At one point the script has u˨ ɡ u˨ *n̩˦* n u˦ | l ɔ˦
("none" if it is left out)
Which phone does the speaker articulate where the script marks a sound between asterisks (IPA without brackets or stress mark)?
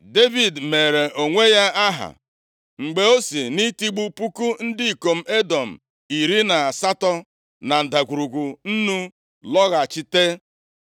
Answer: n̩˦